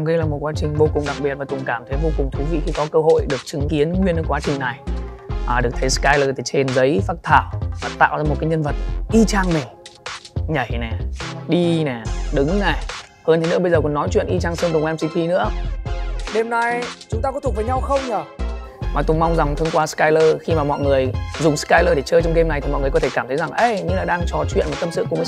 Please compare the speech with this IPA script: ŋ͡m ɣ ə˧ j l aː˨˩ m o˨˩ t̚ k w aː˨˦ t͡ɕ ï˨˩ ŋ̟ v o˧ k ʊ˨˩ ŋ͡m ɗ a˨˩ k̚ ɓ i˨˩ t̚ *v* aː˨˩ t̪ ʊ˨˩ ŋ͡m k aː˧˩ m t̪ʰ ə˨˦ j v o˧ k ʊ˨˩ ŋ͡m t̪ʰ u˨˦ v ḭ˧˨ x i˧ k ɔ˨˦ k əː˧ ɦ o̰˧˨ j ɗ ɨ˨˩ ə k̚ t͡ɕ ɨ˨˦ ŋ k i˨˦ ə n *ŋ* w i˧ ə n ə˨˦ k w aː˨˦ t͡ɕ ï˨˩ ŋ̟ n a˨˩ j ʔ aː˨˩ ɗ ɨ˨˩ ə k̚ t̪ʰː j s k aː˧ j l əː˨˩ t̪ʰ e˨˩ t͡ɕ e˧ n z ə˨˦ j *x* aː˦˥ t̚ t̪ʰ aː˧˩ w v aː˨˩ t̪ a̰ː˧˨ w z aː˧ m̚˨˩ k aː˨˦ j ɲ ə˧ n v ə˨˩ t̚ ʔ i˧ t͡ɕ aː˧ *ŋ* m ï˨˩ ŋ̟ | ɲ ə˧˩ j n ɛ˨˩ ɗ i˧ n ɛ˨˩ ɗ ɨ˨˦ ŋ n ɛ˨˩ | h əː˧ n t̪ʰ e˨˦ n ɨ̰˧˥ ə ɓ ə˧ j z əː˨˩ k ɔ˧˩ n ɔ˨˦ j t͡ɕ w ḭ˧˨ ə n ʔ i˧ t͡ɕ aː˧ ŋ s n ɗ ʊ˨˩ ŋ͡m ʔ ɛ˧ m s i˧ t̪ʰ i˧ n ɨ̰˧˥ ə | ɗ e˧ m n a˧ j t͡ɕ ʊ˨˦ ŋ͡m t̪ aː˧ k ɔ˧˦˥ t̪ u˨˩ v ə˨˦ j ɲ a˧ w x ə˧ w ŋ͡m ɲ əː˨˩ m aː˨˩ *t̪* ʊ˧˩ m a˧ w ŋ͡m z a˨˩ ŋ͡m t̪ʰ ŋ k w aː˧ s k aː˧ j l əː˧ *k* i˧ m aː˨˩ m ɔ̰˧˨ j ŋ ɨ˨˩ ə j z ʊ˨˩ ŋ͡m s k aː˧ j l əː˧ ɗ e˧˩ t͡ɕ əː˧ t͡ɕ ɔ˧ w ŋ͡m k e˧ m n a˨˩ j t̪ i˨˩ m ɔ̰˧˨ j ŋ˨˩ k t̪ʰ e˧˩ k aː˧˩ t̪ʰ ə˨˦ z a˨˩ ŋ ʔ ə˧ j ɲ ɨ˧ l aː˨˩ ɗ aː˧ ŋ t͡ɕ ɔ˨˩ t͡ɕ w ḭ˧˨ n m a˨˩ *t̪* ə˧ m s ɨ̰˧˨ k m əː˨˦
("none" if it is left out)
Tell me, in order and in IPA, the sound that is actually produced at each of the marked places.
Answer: v, ŋ, f, ŋ, t̪, x, t̪

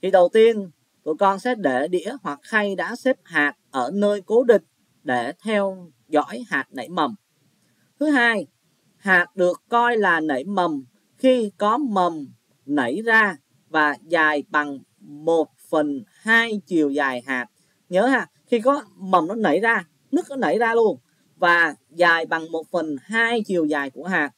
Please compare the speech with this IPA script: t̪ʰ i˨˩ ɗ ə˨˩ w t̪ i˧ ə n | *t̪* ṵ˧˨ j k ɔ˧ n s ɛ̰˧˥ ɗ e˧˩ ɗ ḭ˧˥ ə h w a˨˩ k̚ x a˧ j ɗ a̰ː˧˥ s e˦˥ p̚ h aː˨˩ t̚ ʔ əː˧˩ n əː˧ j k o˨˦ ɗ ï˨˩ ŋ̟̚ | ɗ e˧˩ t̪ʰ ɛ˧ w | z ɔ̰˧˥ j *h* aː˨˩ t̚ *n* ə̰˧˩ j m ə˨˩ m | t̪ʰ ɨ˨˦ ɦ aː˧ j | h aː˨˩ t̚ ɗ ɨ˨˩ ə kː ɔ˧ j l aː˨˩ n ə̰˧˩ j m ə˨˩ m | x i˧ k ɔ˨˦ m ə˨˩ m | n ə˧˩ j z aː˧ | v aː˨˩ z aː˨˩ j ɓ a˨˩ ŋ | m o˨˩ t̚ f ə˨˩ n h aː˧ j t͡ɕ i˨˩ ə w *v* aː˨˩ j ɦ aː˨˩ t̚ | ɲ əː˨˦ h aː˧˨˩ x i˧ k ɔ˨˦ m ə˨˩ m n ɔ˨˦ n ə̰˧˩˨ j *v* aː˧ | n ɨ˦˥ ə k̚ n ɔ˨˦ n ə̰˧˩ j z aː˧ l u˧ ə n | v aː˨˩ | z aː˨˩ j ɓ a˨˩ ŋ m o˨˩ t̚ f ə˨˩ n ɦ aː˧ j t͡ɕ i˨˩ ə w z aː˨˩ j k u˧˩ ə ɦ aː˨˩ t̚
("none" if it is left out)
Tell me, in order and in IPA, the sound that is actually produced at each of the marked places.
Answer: t̪, h, n, z, z

